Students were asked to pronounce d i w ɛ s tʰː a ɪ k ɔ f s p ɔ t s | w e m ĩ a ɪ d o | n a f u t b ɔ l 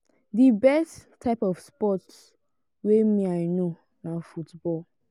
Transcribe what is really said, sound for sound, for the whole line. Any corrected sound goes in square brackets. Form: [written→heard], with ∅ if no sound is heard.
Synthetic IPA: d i [w→b] ɛ s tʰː a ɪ [k→p] ɔ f s p ɔ t s | w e m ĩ a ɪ [d→n] o | n a f u t b ɔ l